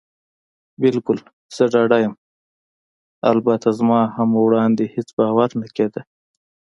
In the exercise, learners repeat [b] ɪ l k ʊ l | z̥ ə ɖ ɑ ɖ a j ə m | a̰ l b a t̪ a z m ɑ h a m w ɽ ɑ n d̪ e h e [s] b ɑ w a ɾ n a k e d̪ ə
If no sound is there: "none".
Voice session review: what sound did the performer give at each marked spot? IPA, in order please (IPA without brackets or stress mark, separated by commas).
b, t͡s